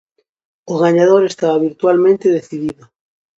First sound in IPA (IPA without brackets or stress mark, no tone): o